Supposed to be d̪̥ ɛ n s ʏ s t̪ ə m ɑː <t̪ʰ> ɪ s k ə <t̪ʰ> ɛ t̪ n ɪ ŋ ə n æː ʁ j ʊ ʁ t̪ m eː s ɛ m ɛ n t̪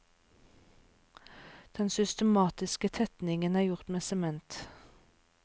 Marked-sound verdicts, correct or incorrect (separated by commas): incorrect, correct